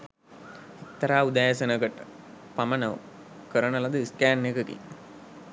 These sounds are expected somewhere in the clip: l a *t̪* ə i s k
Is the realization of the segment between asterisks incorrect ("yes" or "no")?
yes